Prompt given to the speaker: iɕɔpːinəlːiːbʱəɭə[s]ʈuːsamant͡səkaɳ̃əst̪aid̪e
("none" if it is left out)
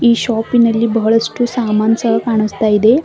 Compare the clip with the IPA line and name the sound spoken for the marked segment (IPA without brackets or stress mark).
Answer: s